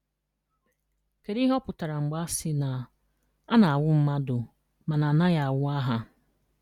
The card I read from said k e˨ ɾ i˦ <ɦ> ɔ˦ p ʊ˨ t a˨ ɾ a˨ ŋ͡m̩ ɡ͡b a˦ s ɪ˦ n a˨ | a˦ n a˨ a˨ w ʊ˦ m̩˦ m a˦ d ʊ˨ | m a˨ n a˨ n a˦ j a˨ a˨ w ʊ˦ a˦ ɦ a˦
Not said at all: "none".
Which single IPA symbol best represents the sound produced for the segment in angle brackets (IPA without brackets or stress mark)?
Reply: ɦ